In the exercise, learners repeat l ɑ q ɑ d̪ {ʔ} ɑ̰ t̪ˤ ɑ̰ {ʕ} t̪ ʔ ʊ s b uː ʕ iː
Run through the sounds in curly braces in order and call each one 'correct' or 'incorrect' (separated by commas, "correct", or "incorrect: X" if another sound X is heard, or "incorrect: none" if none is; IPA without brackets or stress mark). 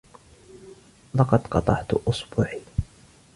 incorrect: q, correct